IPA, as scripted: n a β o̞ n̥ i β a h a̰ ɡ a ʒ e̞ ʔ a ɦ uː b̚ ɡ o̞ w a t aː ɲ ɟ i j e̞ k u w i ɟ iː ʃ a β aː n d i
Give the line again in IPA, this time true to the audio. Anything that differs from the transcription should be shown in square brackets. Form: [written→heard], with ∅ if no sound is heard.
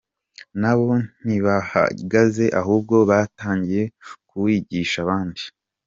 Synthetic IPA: n a β o̞ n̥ i β a h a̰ ɡ a [ʒ→z] e̞ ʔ a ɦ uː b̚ ɡ o̞ [w→β] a t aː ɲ ɟ i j e̞ k u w i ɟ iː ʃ a β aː n d i